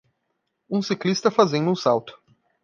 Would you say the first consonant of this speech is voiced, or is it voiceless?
voiceless